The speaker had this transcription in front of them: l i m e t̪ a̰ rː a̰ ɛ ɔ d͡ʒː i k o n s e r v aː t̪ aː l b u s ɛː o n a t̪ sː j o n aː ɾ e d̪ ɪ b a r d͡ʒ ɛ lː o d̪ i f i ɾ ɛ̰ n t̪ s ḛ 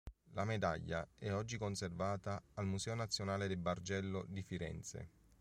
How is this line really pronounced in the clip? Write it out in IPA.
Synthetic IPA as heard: l a m e d̪ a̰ ʎː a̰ ɛ ɔ d͡ʒː i k o n s e r v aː t̪ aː l m u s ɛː o n a t̪ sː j o n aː l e d̪ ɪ b a r d͡ʒ ɛ lː o d̪ i f i ɾ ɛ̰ n t̪ s ḛ